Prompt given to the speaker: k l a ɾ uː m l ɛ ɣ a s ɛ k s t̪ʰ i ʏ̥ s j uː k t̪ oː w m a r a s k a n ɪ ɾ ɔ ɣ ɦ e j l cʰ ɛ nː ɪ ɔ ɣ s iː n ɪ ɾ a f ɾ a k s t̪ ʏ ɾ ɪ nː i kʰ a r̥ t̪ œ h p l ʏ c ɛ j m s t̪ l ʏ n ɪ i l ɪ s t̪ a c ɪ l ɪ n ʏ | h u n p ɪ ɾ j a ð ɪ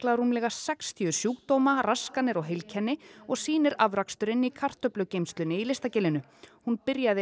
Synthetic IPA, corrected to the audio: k l a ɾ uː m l ɛ ɣ a s ɛ k s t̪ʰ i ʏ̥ s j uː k t̪ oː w m a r a s k a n ɪ ɾ ɔ ɣ ɦ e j l cʰ ɛ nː ɪ ɔ ɣ s iː n ɪ ɾ a v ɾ a k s t̪ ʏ ɾ ɪ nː i kʰ a r̥ t̪ œ p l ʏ c e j m s t̪ l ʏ n ɪ i l ɪ s t̪ a c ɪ l ɪ n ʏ | h u n p ɪ ɾ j a ð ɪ